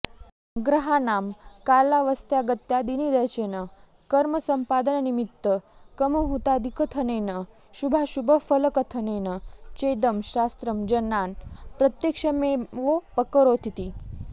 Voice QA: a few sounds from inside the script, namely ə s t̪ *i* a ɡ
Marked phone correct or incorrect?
incorrect